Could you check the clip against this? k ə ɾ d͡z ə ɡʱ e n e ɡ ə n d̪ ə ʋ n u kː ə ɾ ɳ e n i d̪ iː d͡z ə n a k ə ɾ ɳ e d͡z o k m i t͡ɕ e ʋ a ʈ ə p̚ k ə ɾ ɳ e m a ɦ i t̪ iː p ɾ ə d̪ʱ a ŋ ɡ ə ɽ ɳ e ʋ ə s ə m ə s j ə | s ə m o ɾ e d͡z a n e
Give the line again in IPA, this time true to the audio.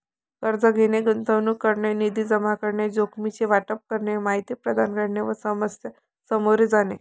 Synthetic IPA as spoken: k ə ɾ d͡z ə ɡʱ e n e ɡ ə n t̪ ə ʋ n u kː ə ɾ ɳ e n i d̪ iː d͡z ə m a k ə ɾ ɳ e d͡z o k m i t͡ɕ e ʋ a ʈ ə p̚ k ə ɾ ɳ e m a ɦ i t̪ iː p ɾ ə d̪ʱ a n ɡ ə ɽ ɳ e ʋ ə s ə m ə s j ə | s ə m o ɾ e d͡z a n e